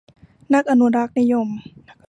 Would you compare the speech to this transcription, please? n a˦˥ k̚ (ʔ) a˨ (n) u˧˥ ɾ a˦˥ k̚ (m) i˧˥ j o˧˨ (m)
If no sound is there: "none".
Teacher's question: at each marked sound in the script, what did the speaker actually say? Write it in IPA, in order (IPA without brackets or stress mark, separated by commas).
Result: ʔ, n, n, m